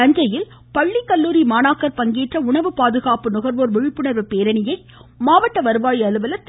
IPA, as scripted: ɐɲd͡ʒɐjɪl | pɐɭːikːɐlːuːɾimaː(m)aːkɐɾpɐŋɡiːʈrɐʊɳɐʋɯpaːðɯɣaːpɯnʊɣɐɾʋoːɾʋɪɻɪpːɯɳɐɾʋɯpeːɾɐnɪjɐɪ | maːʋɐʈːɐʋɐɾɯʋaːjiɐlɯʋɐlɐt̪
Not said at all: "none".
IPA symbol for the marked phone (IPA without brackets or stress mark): n